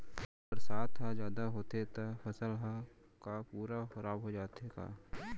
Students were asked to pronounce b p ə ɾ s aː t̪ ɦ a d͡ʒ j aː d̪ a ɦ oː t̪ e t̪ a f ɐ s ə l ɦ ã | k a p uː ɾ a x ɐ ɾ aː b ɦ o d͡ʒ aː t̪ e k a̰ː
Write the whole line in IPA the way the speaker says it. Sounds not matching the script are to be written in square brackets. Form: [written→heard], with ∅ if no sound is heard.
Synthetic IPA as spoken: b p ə ɾ s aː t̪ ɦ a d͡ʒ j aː d̪ a ɦ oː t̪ e t̪ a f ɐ s ə l ɦ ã | k a p uː ɾ a x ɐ ɾ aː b ɦ o d͡ʒ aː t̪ e k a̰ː